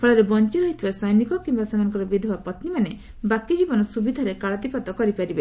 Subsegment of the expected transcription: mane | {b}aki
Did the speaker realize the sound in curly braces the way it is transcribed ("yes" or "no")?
yes